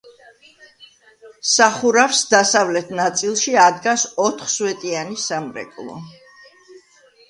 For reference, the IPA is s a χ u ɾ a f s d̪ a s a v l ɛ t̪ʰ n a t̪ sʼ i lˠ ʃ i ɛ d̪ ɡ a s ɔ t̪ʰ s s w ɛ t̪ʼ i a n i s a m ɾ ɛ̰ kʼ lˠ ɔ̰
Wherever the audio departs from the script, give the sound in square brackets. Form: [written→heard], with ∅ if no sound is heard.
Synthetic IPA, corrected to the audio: s a χ u ɾ a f s d̪ a s a v l ɛ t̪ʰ n a t̪ sʼ i lˠ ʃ i [ɛ→a] d̪ ɡ a s ɔ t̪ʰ [s→χ] s w ɛ t̪ʼ i a n i s a m ɾ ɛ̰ kʼ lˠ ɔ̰